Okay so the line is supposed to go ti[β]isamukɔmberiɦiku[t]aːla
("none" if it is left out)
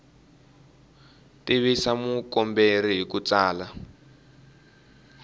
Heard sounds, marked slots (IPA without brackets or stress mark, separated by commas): β, t͡s